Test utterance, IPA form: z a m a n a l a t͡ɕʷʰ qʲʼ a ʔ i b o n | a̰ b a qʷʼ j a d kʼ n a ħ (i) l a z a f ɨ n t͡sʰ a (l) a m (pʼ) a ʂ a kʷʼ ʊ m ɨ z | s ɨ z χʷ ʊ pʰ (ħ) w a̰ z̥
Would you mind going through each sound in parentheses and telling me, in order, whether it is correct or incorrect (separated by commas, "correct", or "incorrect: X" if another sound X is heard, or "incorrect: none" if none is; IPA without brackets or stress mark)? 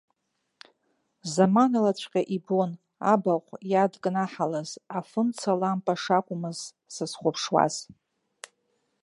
incorrect: a, correct, correct, incorrect: ʂ